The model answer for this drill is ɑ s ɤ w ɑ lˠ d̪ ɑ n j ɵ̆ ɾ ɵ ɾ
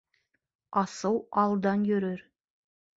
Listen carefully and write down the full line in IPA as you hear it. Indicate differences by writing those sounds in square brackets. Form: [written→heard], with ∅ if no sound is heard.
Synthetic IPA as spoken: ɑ s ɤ w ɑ lˠ d̪ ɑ n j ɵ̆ ɾ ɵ ɾ